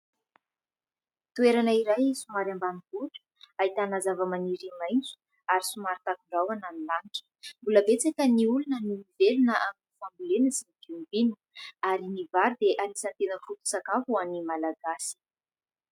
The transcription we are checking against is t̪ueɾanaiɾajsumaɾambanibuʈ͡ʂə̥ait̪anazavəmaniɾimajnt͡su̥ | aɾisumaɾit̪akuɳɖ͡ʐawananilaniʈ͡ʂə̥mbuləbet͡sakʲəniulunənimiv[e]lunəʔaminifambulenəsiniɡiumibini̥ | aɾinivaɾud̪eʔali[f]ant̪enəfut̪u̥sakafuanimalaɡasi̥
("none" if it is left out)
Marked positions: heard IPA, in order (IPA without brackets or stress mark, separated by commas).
e, s